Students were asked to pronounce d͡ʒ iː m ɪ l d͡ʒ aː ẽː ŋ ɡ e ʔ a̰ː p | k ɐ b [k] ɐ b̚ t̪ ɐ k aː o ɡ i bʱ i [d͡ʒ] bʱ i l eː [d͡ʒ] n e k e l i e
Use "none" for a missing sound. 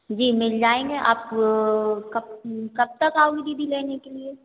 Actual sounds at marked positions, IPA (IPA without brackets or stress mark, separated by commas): k, none, none